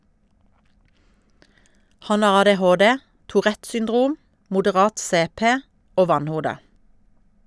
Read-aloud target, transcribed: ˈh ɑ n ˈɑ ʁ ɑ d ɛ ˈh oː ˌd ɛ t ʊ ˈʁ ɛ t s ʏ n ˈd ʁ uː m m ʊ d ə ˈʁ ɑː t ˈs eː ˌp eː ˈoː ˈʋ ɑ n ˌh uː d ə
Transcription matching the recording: ˈh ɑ n ˈɑ ʁ ɑ d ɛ ˈh oː ˌd ɛ t ʊ ˈʁ ɛ t s ʏ n ˈd ʁ uː m m ʊ d ə ˈʁ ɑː t ˈs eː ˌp eː ˈoː ˈʋ ɑ n ˌh uː d ə